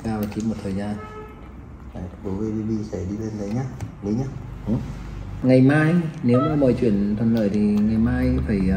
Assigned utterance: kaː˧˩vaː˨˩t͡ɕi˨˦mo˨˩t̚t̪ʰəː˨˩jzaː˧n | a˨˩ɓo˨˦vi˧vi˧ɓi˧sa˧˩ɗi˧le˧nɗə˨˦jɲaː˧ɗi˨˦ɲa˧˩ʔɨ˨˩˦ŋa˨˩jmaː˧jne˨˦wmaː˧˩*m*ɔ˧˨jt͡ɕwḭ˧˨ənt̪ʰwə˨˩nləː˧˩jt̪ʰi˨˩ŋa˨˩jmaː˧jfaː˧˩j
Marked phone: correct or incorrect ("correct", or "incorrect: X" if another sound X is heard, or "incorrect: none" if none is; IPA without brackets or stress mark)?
correct